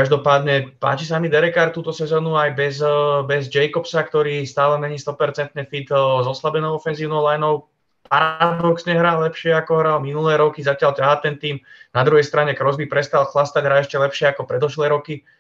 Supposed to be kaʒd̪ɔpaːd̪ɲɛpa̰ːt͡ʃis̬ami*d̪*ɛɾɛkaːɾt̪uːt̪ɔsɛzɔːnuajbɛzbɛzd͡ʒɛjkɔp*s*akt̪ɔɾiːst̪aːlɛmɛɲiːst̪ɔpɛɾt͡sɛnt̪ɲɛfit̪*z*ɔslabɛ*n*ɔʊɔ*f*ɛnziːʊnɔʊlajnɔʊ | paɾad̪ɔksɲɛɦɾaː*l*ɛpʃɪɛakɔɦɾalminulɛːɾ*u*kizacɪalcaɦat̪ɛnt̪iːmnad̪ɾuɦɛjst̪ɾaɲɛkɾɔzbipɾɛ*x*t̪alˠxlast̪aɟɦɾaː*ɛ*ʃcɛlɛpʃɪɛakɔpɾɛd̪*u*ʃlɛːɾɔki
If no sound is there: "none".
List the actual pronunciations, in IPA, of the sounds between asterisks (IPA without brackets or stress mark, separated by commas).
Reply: d̪, s, z, n, f, l, ɔ, s, ɛ, ɔ